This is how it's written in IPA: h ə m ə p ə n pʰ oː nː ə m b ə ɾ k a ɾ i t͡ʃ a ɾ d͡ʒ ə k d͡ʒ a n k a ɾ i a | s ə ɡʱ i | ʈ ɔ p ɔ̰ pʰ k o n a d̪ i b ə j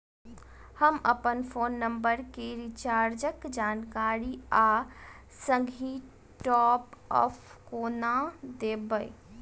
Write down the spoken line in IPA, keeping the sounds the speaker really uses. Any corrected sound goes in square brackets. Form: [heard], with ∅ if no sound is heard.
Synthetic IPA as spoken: h ə m ə p ə n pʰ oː nː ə m b ə ɾ k [e] ɾ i t͡ʃ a ɾ d͡ʒ ə k d͡ʒ a n k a ɾ i a | s ə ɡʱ i | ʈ ɔ p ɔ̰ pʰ k o n a d̪ [e] b ə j